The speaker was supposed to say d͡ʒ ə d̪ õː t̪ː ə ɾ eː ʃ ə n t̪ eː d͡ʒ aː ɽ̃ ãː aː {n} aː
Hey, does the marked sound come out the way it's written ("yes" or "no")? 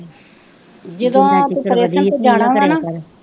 yes